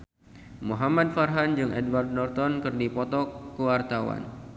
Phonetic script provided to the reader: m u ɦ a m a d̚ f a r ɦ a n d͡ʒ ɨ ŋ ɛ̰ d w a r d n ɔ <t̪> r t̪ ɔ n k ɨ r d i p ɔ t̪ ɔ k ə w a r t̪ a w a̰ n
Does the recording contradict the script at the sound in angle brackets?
yes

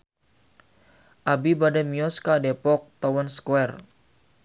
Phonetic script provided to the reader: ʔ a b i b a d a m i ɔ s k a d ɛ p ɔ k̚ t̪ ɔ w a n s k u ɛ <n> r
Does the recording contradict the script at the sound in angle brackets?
yes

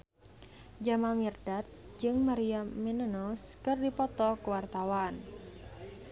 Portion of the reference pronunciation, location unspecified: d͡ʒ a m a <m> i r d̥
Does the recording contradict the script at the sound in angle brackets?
no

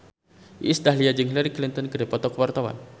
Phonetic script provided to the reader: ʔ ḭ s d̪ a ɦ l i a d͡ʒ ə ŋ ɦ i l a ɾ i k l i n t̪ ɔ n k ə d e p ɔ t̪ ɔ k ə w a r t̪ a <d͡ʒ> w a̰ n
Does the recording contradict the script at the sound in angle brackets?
yes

